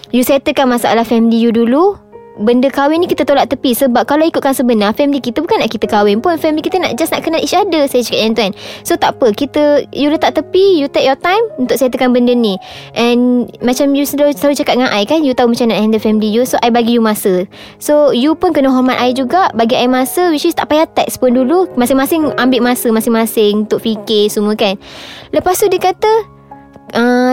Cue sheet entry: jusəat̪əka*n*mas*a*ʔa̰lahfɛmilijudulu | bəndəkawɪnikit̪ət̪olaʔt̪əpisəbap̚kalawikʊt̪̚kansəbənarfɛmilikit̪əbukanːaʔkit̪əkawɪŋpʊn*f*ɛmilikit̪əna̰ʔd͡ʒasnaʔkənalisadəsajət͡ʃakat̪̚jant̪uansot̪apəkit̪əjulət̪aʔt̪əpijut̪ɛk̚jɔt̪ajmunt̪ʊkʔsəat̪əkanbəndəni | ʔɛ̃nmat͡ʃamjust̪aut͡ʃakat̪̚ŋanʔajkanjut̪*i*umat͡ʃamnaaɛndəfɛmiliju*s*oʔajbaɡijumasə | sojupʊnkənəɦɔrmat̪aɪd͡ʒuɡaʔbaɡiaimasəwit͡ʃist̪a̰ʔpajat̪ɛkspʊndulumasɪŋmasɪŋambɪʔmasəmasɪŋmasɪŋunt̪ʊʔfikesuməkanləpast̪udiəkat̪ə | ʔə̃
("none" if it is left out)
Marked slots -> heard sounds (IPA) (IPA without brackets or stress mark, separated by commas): n, a, f, a, s